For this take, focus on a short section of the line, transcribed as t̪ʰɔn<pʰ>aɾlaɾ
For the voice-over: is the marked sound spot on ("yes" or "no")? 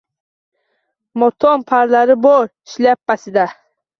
yes